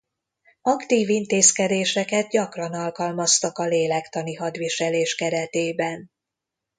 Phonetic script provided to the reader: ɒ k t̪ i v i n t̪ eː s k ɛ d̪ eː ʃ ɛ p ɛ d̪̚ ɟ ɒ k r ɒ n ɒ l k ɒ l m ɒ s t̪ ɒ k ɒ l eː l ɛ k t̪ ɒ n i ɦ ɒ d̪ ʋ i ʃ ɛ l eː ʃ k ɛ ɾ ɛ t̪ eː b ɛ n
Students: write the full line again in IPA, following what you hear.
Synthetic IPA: ɒ k t̪ iː v i n t̪ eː s k ɛ d̪ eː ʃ ɛ k ɛ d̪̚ ɟ ɒ k r ɒ n ɒ l k ɒ l m ɒ s t̪ ɒ k ɒ l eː l ɛ k t̪ ɒ n i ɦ ɒ d̪ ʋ i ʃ ɛ l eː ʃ k ɛ ɾ ɛ t̪ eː b ɛ n